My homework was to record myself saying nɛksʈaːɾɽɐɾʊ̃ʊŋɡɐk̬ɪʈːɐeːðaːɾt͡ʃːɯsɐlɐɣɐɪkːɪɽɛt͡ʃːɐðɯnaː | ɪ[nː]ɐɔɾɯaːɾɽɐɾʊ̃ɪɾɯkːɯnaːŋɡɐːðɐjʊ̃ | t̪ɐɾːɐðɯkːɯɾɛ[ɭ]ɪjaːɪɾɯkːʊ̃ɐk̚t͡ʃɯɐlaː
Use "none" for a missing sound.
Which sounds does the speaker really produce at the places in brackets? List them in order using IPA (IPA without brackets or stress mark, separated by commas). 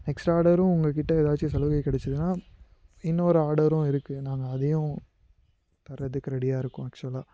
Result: nː, ɽ